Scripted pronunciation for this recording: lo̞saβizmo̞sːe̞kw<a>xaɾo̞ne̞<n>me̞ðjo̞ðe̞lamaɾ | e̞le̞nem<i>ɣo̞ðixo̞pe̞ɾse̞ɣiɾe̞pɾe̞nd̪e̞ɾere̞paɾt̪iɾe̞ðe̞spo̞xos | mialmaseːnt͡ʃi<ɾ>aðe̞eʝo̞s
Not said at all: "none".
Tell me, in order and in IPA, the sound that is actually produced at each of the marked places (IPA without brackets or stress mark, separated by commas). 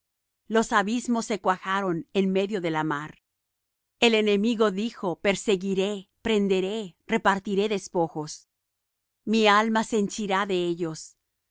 a, n, i, ɾ